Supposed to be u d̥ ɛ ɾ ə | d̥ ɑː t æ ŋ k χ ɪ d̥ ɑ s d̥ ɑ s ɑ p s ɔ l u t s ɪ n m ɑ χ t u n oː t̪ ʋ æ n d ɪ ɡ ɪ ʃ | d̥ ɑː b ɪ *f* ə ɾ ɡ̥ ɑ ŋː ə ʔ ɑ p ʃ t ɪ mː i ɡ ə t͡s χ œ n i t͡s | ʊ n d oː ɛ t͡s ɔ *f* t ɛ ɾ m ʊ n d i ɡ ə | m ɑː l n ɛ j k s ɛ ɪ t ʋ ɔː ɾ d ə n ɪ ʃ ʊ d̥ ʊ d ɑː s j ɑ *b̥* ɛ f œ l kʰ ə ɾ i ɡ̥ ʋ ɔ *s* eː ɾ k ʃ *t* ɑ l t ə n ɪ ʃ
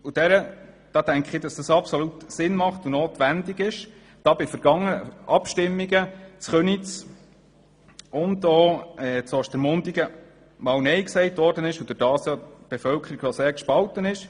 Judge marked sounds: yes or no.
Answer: yes, no, yes, yes, no

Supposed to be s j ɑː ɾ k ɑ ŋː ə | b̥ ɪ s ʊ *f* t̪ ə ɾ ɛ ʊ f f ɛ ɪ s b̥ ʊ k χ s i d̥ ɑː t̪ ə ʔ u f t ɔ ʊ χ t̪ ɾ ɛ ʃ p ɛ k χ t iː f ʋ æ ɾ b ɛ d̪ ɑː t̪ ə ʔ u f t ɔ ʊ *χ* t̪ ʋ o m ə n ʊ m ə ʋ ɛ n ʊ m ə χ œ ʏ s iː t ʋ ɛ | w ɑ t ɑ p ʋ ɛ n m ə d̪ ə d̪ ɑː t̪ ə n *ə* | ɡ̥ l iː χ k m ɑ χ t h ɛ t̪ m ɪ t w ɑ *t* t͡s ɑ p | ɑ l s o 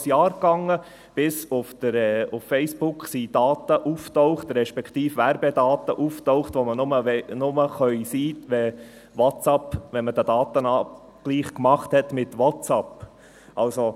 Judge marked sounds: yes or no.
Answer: yes, yes, no, yes

